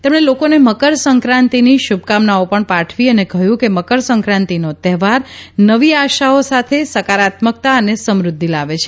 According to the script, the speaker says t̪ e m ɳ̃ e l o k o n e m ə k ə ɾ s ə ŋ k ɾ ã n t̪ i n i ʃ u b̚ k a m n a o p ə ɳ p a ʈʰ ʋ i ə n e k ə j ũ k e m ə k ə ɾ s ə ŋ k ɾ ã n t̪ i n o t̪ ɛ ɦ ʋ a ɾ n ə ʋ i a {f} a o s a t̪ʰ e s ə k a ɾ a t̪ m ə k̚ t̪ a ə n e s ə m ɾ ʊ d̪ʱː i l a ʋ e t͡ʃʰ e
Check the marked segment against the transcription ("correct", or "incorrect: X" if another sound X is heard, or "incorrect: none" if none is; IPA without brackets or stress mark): incorrect: ʃ